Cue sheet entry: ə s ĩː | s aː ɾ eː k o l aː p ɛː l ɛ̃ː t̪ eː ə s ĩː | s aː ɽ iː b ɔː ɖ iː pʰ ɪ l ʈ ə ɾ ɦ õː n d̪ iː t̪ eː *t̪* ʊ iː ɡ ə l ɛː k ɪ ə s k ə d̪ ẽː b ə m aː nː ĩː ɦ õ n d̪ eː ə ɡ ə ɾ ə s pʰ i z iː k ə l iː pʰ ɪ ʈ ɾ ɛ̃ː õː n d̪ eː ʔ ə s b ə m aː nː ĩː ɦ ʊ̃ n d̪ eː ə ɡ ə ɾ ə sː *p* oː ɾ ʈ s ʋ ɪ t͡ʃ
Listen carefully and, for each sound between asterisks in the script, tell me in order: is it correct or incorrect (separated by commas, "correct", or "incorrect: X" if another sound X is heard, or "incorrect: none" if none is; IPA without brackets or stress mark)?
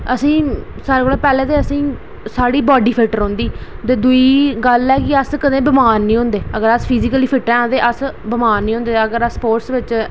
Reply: incorrect: d̪, correct